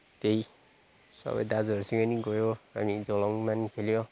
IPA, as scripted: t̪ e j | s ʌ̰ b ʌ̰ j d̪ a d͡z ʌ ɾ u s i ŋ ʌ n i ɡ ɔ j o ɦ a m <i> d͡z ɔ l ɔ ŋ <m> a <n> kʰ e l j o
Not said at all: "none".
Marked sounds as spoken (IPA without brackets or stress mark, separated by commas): i, m, n